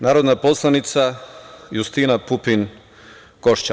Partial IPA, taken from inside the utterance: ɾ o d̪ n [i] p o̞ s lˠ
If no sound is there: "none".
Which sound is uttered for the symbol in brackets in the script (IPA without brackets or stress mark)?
a